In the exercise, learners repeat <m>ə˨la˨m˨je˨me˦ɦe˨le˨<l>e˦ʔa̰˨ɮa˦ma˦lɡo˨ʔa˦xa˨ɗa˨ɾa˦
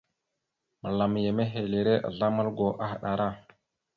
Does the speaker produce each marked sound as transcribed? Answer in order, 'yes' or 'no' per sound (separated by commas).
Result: yes, no